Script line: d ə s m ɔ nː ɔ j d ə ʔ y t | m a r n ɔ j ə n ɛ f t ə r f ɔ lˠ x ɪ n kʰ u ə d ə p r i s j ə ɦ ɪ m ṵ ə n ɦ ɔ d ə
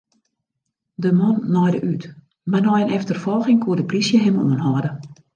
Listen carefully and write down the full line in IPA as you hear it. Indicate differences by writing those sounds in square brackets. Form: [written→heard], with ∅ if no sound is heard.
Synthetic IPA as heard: d ə [s→∅] m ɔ nː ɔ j d ə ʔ y t | m a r n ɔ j ə n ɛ f t ə r f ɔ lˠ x ɪ [n→ŋ] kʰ u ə d ə p r i s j ə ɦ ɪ m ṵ ə n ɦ ɔ d ə